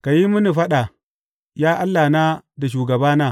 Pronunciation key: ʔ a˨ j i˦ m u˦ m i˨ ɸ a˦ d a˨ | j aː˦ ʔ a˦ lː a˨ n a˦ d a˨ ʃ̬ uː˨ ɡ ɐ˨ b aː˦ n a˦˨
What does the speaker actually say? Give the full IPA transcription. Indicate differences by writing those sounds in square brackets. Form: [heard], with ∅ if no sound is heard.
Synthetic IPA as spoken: [k] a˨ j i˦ m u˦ [n] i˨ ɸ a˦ [ɗ] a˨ | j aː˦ ʔ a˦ lː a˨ n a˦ d a˨ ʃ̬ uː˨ ɡ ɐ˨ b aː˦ n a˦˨